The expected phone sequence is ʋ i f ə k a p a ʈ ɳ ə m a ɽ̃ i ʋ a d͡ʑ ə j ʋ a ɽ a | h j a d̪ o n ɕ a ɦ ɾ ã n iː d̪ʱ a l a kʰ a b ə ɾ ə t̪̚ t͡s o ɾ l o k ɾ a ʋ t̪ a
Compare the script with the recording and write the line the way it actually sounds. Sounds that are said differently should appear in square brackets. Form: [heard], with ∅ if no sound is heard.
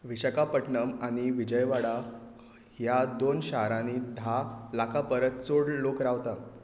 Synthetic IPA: ʋ i [ɕ] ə k a p [ə] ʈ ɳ ə m a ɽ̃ i ʋ [i] d͡ʑ ə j ʋ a ɽ a | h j a d̪ o n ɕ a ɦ ɾ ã n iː d̪ʱ a l a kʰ a [p] ə ɾ ə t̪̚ t͡s o [ɽ] l o k ɾ a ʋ t̪ a